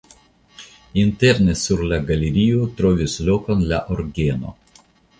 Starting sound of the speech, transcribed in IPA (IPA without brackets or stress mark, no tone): i